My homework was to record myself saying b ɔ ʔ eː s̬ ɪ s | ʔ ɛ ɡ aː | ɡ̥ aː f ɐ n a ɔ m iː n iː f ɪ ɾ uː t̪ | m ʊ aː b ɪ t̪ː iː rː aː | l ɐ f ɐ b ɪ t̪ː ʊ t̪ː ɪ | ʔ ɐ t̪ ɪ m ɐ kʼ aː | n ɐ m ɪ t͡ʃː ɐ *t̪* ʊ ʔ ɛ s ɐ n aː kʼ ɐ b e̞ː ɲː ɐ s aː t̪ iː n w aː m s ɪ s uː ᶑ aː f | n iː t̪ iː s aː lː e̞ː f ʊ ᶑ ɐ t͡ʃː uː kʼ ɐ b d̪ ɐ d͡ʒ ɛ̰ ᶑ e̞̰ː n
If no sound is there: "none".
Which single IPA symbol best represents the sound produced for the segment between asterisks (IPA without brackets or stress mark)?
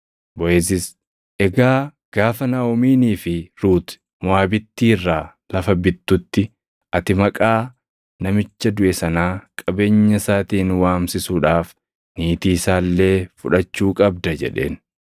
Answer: d̪